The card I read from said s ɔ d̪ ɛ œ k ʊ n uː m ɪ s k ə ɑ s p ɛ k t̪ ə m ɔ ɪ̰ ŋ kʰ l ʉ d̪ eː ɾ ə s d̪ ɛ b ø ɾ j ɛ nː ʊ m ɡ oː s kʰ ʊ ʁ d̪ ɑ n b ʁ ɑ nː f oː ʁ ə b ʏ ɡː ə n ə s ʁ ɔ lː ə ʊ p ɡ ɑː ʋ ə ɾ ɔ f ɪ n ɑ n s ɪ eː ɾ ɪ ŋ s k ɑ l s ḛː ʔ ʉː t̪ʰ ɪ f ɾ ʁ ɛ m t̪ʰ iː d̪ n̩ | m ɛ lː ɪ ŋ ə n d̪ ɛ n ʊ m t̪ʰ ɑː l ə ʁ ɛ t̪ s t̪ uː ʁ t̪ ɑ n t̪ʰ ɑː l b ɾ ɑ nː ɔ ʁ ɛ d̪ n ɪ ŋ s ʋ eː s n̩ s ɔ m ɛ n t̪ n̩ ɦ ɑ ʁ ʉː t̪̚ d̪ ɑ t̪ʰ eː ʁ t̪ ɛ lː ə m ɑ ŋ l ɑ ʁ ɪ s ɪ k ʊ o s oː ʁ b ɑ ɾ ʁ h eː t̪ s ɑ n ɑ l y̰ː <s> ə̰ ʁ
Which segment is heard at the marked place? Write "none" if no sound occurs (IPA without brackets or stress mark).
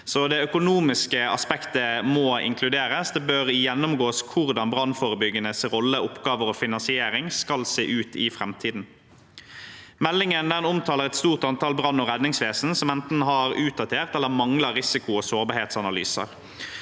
s